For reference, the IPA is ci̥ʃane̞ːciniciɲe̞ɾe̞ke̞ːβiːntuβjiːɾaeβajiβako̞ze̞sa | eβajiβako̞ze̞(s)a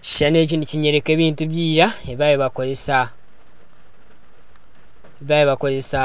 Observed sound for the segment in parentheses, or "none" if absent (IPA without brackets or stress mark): s